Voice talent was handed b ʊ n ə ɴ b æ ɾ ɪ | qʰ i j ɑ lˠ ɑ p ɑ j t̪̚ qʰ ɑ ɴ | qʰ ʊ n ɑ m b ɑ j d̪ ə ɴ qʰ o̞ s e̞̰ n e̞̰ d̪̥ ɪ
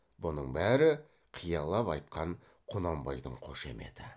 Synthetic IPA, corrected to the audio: b ʊ n ə ɴ b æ ɾ ɪ | qʰ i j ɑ lˠ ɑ p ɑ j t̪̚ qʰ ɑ ɴ | qʰ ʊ n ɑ m b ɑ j d̪ ə ɴ qʰ o̞ ʃ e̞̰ m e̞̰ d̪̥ ɪ